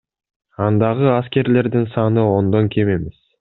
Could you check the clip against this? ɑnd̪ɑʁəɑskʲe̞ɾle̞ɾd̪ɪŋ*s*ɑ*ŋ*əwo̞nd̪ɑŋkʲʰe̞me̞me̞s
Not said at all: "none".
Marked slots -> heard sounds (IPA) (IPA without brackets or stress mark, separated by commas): s, n